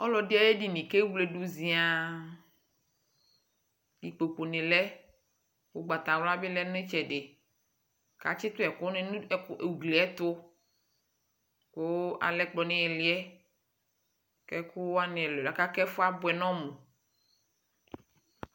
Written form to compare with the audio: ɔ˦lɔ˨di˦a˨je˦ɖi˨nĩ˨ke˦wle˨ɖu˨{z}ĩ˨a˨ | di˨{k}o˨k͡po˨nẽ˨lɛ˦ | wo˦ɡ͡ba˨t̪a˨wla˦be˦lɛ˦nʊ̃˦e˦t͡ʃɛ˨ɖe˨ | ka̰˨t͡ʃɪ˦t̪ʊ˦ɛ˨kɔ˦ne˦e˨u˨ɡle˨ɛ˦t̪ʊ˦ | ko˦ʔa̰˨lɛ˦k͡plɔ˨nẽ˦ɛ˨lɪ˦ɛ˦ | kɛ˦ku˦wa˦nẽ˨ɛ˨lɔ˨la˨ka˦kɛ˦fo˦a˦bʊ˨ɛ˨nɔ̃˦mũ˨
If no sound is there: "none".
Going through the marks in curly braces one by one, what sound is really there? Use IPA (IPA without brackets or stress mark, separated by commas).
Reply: z, k͡p